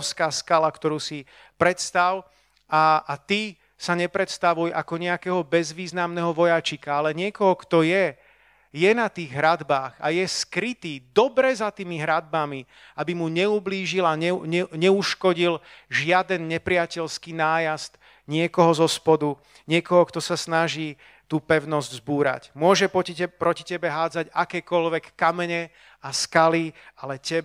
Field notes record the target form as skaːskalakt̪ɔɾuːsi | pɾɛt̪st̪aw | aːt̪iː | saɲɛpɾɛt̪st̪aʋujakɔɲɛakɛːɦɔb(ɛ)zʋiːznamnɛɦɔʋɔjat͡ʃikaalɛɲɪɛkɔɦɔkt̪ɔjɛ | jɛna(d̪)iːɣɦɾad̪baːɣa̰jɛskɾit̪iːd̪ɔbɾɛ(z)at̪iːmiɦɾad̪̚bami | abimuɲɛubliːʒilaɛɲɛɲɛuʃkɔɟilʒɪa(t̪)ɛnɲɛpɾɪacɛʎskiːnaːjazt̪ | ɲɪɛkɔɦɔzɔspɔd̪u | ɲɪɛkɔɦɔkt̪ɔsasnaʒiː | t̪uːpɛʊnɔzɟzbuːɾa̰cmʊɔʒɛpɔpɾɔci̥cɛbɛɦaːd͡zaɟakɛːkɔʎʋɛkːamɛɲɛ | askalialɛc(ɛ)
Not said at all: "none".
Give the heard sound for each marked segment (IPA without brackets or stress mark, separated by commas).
ɛ, t̪, z, d̪, ɛ